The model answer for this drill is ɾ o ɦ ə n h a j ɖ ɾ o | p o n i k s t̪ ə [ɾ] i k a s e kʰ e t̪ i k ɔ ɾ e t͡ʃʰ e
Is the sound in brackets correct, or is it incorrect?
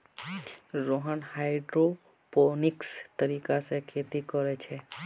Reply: correct